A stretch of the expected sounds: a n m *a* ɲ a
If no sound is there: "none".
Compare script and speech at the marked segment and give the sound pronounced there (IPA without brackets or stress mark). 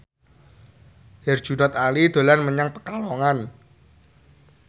ə